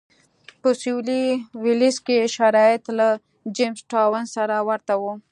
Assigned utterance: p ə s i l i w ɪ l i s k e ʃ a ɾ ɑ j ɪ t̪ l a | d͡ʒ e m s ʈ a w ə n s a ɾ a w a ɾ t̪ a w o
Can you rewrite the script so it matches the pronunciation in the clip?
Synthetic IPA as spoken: p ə s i l i w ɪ l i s k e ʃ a ɾ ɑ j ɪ t̪ l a | d͡ʒ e m s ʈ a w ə n s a ɾ a w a ɾ t̪ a w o

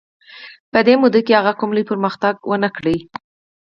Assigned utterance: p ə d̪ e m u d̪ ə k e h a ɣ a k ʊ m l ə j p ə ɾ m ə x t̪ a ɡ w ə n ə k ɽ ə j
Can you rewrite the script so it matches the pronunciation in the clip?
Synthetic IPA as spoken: p ə d̪ e m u d̪ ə k e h a ɣ a k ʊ m l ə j p ə ɾ m ə x t̪ a ɡ w ə n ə k ɽ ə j

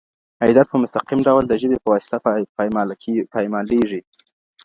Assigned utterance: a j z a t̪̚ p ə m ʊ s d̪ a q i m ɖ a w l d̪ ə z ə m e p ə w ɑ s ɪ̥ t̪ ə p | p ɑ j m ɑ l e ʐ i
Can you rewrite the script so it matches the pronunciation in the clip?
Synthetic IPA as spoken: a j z a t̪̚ p ə m ʊ s t̪ a q i m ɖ a w l d̪ ə ʒ ə b e p ə w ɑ s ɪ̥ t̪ a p | p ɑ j m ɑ l e ʐ i

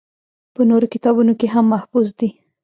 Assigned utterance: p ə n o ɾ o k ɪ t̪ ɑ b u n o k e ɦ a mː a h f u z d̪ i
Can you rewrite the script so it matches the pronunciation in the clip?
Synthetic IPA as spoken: p ə n o ɾ o k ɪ t̪ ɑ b u n o k e ɦ a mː a h f u z d̪ i

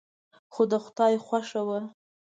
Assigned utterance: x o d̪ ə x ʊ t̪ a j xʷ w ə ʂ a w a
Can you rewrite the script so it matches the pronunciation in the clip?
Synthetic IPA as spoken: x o d̪ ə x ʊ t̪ ɑ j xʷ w a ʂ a w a

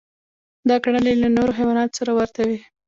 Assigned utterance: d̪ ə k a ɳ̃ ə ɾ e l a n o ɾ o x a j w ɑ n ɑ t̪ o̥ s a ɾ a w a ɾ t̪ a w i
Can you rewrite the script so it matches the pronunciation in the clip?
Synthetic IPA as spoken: d̪ ɑ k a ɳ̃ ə l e l a n o ɾ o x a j w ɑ n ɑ t̪ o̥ s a ɾ a w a ɾ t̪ a w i

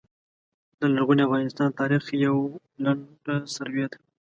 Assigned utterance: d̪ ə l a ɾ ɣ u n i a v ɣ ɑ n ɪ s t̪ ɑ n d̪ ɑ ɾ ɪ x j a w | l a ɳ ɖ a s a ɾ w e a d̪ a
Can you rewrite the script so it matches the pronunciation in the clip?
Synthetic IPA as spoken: d̪ ə l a ɾ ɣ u n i a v ɣ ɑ n ɪ s t̪ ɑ n t̪ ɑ ɾ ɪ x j a w | l a ɳ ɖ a s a ɾ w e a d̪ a

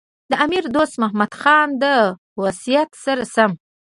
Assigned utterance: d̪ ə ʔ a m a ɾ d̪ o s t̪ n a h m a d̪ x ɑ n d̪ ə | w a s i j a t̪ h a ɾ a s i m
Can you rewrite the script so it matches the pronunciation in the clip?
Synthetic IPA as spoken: d̪ ə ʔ a m i ɾ d̪ o s t̪ m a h m a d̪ x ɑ n d̪ ə | w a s i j a t̪ s a ɾ a s a m

